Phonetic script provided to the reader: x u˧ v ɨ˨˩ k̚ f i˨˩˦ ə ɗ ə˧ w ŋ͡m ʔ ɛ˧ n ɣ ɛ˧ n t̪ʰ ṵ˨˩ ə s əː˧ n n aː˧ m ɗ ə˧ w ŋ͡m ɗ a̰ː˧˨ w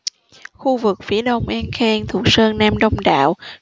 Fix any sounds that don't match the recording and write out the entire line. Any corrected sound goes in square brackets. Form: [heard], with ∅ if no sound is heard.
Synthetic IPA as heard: x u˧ v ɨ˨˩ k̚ f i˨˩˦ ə ɗ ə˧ w ŋ͡m ʔ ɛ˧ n [x] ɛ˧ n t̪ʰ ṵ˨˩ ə s əː˧ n n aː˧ m ɗ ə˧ w ŋ͡m ɗ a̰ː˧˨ w